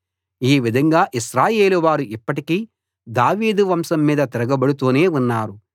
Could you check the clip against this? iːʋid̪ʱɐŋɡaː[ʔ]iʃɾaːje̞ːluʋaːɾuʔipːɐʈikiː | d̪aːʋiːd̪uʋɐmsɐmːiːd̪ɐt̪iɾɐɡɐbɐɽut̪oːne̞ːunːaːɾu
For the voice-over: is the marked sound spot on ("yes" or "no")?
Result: yes